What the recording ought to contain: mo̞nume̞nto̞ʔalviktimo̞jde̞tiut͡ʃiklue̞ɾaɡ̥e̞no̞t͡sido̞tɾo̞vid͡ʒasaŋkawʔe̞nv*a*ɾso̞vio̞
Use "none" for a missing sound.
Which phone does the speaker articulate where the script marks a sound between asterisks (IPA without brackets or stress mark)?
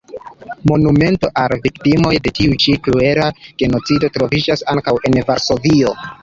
a